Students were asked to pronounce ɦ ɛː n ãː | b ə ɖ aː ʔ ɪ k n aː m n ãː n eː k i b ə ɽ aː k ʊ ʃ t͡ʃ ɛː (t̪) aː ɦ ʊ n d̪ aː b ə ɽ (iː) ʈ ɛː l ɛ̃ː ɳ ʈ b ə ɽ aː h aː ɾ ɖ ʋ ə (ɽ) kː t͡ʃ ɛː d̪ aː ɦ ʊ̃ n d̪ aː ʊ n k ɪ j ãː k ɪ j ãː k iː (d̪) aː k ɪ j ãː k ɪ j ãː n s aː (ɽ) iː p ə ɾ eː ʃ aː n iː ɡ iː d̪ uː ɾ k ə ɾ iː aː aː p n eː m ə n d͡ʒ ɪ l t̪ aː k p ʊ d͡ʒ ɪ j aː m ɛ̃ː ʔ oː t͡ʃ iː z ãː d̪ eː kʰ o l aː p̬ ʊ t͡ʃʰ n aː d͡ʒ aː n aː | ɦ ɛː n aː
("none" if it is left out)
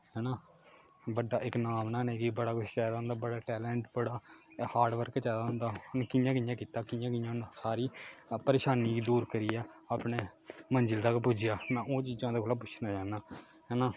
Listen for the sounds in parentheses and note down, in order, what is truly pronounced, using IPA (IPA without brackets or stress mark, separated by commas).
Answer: d̪, aː, ɾ, t̪, ɾ